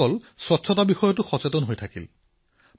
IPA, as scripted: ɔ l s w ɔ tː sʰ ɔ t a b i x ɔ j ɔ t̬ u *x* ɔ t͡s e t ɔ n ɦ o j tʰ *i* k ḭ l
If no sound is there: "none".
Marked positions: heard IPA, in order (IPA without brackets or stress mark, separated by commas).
x, a